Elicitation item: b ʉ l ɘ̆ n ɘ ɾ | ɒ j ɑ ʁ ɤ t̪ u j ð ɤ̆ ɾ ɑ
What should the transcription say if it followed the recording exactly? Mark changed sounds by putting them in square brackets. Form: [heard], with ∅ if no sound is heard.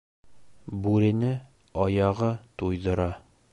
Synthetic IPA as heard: b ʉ [ɾ] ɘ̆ n ɘ [∅] | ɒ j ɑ ʁ ɤ t̪ u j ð ɤ̆ ɾ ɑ